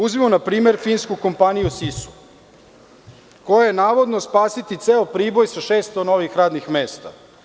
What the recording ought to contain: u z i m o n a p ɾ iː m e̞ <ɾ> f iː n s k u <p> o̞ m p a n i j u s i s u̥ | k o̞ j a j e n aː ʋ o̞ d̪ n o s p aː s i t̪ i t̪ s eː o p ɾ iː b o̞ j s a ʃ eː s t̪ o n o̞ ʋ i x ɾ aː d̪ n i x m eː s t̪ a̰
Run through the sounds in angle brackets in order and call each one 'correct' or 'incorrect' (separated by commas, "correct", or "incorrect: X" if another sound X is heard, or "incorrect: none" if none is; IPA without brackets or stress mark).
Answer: correct, incorrect: k